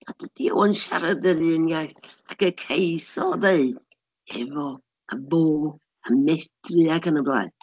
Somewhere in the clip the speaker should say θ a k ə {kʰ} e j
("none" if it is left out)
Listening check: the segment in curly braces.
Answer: kʰ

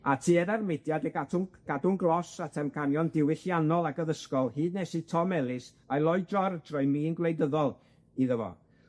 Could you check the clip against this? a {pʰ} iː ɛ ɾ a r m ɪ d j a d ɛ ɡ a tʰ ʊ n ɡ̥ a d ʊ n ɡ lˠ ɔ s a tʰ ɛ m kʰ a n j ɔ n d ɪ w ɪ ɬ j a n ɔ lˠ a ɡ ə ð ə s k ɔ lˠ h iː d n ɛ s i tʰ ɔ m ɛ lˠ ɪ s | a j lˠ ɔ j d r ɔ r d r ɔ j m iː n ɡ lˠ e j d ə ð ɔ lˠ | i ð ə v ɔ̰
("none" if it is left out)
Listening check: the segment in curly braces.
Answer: tʰ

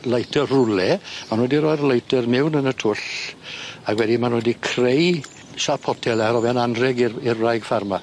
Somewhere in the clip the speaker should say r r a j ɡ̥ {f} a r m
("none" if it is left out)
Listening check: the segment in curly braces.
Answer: f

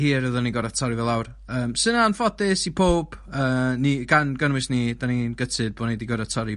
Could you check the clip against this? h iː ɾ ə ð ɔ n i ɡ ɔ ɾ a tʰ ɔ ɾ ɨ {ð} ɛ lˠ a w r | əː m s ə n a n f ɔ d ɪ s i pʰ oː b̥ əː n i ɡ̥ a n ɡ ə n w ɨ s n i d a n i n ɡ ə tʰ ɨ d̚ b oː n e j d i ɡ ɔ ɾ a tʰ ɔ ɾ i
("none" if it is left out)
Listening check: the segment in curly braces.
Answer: v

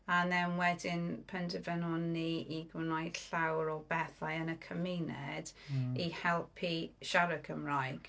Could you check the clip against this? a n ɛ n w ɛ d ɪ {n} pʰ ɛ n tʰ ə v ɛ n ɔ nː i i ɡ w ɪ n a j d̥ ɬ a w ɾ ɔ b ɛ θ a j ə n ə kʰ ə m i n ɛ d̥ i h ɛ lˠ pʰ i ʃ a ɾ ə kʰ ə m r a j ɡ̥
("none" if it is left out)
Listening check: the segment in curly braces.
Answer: n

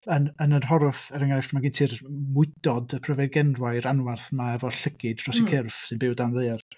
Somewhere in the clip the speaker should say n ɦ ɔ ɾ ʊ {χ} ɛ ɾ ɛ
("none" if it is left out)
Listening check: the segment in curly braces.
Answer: θ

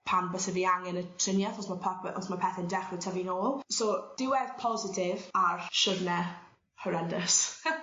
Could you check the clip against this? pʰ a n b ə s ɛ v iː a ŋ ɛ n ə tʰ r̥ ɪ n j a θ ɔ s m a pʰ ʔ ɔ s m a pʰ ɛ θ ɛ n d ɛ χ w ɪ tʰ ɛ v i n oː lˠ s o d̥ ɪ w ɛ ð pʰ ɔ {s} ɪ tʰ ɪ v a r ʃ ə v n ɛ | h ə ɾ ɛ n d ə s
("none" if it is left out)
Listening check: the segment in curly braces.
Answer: z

